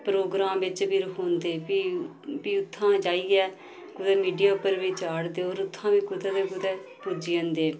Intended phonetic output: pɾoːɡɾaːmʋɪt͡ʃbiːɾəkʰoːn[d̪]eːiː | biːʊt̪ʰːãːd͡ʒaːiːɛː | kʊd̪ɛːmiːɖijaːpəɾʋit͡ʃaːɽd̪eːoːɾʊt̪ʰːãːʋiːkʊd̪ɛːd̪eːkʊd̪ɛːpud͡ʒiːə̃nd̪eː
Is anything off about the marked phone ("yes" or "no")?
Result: no